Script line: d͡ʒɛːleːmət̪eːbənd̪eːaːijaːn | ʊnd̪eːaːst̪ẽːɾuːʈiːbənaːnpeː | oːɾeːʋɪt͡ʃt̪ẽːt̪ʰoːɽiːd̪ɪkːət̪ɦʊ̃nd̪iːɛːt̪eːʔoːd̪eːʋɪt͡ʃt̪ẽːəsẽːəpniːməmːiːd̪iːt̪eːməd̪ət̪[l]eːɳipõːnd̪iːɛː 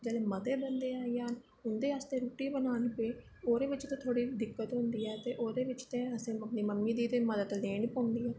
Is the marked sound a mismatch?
no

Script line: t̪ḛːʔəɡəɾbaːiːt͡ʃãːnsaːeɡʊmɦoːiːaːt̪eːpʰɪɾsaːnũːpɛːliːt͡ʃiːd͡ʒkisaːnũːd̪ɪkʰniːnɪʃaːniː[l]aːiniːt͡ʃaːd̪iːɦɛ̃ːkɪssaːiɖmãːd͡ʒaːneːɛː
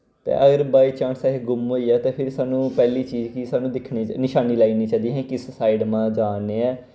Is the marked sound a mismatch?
no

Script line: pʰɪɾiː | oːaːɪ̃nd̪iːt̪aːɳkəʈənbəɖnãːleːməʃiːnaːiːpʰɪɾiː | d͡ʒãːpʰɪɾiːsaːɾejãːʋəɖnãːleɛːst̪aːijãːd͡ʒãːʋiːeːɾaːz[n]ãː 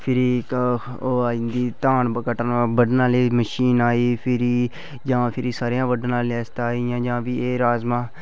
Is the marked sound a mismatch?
yes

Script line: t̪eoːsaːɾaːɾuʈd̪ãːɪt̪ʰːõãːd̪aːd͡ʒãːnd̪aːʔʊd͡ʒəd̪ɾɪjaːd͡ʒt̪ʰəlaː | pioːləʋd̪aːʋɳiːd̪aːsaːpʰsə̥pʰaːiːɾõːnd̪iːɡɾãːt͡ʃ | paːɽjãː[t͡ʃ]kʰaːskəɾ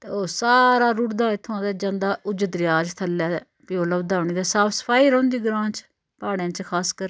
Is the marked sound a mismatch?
no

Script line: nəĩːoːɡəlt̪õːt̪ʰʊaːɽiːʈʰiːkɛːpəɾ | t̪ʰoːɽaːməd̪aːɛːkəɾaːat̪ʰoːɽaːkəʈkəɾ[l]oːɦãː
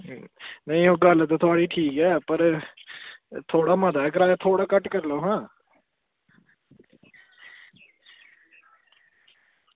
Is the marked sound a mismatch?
no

